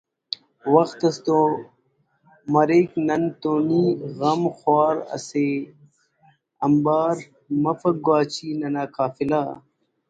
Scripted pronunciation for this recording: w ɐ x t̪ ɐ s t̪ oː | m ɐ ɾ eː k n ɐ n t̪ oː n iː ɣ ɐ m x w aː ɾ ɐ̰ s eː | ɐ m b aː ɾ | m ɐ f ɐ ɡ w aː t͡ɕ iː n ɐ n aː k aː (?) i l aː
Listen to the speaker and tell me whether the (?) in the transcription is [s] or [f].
f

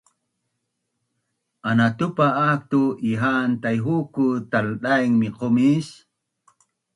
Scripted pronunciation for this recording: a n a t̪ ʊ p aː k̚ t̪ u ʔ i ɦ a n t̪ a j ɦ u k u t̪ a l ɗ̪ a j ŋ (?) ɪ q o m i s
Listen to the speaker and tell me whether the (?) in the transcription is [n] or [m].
m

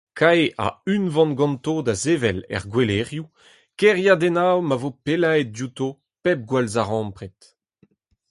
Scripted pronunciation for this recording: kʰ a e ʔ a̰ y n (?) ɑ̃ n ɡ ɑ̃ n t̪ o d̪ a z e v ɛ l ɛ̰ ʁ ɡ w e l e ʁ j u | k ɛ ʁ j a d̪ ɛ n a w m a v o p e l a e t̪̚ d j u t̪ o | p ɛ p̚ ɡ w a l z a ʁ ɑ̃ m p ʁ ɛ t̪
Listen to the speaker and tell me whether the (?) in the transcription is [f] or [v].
v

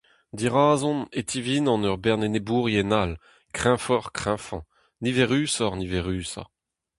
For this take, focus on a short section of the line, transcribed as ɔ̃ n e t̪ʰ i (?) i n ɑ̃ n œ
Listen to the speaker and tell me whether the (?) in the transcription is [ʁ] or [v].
v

